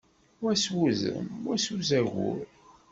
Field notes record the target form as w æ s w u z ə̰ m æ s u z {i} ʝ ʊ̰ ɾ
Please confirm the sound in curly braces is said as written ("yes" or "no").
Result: no